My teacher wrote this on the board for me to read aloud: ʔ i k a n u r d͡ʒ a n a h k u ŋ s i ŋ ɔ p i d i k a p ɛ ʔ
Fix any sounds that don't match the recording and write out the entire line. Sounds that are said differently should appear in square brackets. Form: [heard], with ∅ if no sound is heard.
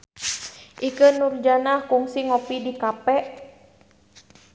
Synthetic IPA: ʔ i k [ə] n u r d͡ʒ a n a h k u ŋ s i ŋ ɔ p i d i k a p ɛ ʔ